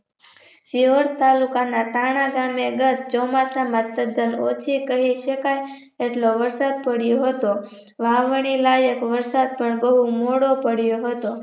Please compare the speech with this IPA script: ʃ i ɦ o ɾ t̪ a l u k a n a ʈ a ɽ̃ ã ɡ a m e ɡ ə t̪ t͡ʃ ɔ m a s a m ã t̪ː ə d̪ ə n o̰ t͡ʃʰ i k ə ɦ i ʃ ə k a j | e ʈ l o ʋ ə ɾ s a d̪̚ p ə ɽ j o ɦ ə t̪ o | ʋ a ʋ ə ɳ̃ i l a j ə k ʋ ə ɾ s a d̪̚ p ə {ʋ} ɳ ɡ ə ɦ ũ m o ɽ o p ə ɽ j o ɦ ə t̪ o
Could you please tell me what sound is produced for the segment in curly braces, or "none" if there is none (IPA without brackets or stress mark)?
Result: none